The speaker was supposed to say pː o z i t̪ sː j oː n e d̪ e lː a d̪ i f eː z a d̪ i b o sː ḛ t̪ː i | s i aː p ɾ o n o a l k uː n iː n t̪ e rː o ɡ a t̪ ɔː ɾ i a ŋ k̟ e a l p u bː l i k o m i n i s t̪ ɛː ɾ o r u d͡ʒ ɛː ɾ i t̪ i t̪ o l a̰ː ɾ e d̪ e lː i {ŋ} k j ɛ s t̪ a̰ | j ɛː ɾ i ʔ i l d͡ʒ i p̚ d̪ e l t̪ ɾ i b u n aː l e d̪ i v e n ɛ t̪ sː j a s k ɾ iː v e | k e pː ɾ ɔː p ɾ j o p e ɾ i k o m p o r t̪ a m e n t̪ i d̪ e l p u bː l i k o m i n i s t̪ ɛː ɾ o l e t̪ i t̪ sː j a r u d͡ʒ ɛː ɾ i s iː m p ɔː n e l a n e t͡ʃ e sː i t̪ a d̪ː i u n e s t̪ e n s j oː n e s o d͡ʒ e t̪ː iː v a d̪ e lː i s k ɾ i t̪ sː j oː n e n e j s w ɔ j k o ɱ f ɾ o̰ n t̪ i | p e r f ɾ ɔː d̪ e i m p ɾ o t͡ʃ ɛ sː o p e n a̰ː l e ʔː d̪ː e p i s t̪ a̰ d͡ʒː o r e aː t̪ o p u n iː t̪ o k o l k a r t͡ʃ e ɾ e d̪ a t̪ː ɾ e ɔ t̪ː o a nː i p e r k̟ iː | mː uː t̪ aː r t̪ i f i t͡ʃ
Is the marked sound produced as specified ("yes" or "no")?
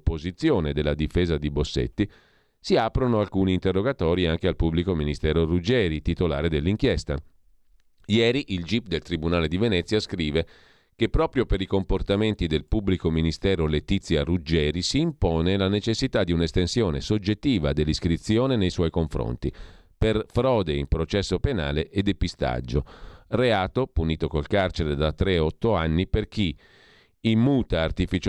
yes